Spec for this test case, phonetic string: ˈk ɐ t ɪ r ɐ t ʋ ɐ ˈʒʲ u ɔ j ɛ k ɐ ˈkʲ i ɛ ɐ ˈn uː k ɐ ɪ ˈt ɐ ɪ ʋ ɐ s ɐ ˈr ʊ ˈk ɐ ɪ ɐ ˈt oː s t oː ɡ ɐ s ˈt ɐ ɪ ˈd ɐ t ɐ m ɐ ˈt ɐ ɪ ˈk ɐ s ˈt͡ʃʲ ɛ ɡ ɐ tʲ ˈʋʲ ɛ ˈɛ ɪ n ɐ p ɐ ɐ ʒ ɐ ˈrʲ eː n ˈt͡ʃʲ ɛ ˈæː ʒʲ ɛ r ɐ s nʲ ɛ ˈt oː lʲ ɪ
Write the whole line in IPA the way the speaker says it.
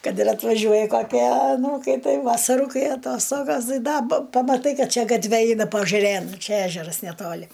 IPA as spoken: ˈk ɐ t ɪ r ɐ t ʋ ɐ ˈʒʲ u ɔ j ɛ k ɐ ˈkʲ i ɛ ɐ ˈn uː k ɐ ɪ ˈt ɐ ɪ ʋ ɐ s ɐ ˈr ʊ ˈk ɐ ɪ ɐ ˈt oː s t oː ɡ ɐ s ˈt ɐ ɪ ˈd ɐ p ɐ m ɐ ˈt ɐ ɪ ˈk ɐ t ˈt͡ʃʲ ɛ ɡ ɐ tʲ ˈʋʲ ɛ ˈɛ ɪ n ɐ p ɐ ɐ ʒ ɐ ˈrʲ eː n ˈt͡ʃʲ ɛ ˈæː ʒʲ ɛ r ɐ s nʲ ɛ ˈt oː lʲ ɪ